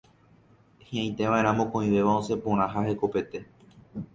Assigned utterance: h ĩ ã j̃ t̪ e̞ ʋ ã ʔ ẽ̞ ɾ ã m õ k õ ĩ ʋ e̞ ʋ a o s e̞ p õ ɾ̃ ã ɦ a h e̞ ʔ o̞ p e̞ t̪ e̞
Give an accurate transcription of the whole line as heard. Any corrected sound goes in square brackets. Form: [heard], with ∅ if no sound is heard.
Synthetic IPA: h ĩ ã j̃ t̪ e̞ ʋ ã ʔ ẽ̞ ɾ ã m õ k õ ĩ ʋ e̞ ʋ a o s e̞ p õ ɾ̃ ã ɦ a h e̞ [k] o̞ p e̞ t̪ e̞